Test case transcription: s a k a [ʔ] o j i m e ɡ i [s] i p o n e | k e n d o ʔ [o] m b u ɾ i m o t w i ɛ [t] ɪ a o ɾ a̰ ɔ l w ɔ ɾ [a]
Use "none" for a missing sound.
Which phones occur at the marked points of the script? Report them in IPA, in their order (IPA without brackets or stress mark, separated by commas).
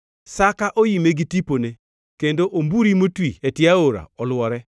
ʔ, t, o, t, ɛ